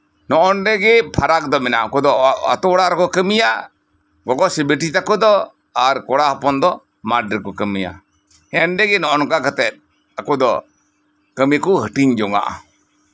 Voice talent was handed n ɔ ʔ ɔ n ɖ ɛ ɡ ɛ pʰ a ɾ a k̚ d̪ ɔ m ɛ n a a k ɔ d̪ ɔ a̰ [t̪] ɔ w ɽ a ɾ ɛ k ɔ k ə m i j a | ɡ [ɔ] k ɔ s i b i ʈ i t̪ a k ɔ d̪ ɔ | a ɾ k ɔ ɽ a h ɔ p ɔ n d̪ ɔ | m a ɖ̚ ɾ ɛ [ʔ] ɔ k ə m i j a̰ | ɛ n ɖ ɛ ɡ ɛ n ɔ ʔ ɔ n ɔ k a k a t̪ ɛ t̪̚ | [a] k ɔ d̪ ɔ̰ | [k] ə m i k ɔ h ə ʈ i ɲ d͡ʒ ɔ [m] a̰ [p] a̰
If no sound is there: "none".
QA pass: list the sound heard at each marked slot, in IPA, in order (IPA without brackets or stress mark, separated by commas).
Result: t̪, ɔ, k, a, k, ŋ, ʔ